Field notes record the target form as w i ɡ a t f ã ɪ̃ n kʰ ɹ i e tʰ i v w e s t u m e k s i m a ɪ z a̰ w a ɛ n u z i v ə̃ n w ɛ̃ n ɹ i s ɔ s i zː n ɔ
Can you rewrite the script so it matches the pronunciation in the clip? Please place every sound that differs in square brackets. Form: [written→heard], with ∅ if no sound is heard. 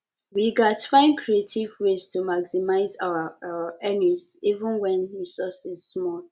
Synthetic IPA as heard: w i ɡ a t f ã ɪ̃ n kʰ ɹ i e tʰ i v w e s t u m [e→a] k s i m a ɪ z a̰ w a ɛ n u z i v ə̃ n w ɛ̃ n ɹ i s ɔ s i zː [n→m] ɔ